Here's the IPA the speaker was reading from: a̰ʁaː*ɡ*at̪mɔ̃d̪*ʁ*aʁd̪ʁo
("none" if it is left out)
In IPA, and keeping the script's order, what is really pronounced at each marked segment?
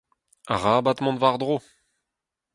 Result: b, v

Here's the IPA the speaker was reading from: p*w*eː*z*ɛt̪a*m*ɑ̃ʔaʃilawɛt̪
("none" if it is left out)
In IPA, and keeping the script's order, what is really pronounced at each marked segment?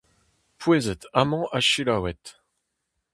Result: w, z, m

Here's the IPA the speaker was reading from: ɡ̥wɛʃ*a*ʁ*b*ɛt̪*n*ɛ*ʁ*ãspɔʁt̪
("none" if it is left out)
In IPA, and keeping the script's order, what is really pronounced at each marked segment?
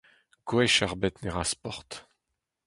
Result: a, b, n, ʁ

